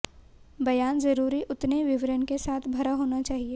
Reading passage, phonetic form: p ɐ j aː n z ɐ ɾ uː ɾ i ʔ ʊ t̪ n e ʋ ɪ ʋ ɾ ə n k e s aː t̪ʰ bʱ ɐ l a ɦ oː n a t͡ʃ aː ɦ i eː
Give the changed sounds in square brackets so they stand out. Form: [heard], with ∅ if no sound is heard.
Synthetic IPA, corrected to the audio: [b] ɐ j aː n z ɐ ɾ uː ɾ i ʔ ʊ t̪ n e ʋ ɪ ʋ ɾ ə n k e s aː t̪ʰ bʱ ɐ [ɾ] a ɦ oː n a t͡ʃ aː ɦ i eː